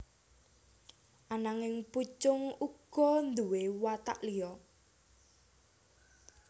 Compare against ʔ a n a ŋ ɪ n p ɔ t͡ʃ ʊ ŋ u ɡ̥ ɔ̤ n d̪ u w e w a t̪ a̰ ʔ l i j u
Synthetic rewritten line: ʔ a n a ŋ ɪ ŋ p u t͡ʃ ʊ ŋ u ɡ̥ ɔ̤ n d̪ u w e w a t̪ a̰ ʔ l i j ɔ